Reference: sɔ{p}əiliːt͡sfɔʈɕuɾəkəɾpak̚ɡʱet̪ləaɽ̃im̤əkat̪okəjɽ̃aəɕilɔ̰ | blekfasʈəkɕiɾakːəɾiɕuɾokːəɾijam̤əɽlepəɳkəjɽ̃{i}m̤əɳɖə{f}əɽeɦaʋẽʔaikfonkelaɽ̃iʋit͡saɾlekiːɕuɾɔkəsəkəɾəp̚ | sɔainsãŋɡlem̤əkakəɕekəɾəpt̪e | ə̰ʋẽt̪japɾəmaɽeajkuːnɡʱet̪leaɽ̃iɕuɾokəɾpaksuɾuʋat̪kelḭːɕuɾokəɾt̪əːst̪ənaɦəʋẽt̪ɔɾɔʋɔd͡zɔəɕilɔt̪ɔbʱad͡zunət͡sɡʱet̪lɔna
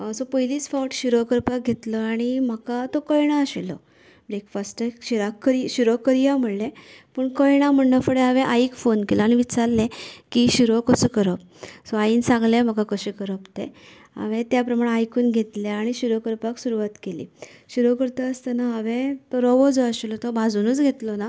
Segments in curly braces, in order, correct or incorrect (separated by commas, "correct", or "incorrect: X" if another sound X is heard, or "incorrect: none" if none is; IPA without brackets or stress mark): correct, incorrect: a, correct